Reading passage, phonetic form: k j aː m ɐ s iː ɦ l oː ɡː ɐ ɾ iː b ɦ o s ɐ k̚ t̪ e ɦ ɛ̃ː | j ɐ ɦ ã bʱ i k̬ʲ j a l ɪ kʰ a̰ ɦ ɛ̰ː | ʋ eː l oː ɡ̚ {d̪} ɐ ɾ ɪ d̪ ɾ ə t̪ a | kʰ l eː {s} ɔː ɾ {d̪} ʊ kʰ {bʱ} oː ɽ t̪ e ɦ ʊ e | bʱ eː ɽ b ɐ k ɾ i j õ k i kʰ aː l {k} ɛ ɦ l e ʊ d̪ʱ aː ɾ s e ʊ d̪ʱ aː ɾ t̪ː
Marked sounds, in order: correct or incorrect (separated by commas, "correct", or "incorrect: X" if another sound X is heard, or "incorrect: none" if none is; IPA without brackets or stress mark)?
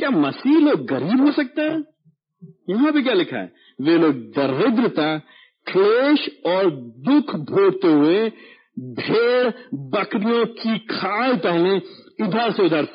correct, incorrect: ʃ, correct, correct, incorrect: p